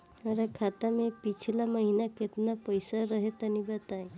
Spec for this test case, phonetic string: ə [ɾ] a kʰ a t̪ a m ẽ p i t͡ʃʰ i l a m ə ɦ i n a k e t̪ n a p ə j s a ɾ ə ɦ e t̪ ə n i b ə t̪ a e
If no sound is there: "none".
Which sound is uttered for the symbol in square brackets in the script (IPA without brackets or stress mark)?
ɾ